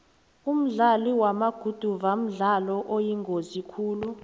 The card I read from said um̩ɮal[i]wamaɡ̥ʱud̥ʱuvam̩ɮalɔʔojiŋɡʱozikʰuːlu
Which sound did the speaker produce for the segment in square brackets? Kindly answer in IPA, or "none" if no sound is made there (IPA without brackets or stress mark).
i